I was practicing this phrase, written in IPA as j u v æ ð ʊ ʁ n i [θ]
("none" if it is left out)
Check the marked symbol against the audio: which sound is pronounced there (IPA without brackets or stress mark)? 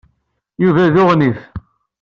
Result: θ